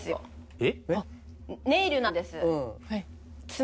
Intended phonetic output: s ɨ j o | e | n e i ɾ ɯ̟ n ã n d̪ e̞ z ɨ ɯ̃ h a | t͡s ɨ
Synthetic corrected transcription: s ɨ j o | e | n e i ɾ ɯ̟ n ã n d̪ e̞ s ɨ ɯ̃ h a | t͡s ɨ